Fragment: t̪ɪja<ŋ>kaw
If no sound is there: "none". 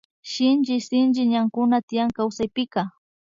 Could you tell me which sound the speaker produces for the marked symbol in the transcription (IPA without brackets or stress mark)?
ŋ